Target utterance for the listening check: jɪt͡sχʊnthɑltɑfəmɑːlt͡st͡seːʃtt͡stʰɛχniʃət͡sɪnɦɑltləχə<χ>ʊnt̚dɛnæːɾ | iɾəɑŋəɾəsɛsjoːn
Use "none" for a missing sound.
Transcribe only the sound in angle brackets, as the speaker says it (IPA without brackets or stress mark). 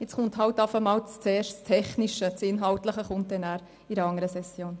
χ